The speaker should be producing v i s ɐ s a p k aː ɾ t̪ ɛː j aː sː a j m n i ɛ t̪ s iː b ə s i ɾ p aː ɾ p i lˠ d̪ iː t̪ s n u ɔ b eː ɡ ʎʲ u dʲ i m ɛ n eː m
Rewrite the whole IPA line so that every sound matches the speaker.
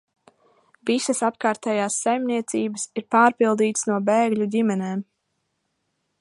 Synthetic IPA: v i s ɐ s a p k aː ɾ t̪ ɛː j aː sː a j m n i ɛ t̪ s iː b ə s i ɾ p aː ɾ p i lˠ d̪ iː t̪ s n u ɔ b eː ɡ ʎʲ u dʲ i m ɛ n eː m